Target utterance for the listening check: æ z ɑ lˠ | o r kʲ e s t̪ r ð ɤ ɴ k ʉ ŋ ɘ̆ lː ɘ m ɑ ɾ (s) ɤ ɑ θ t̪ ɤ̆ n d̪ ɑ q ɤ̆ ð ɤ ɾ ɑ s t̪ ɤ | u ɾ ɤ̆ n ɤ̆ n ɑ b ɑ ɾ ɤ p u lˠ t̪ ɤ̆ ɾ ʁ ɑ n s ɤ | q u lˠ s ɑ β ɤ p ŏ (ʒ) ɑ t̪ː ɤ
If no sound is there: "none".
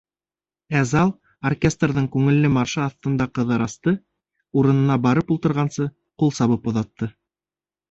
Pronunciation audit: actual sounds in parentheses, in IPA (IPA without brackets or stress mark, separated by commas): ʃ, ð